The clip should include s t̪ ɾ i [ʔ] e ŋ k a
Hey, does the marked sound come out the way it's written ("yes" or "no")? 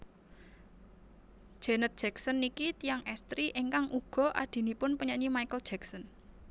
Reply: yes